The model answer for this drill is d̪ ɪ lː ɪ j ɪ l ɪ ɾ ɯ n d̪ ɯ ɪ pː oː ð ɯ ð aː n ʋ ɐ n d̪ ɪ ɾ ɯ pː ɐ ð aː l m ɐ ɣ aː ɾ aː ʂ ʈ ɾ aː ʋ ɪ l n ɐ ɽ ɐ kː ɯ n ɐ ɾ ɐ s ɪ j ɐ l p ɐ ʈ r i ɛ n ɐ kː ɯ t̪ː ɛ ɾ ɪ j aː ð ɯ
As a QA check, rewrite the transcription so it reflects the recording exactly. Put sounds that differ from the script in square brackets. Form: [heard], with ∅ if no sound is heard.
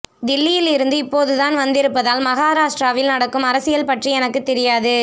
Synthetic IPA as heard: d̪ ɪ lː ɪ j ɪ l ɪ ɾ ɯ n d̪ ɯ ɪ pː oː ð ɯ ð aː n ʋ ɐ n d̪ ɪ ɾ ɯ pː ɐ ð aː l m ɐ ɣ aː ɾ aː ʂ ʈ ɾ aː ʋ ɪ l n ɐ ɽ ɐ kː ɯ [m] ɐ ɾ ɐ s ɪ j ɐ l p ɐ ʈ r i ɛ n ɐ kː ɯ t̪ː ɛ ɾ ɪ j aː ð ɯ